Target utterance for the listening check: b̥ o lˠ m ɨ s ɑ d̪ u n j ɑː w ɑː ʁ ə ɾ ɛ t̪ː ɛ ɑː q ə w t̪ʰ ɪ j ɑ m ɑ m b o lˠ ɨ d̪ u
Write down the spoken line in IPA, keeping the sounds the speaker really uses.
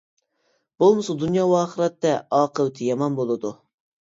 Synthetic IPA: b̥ o lˠ m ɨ s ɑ d̪ u n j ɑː w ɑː χ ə ɾ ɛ t̪ː ɛ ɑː q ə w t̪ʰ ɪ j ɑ m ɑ n b o lˠ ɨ d̪ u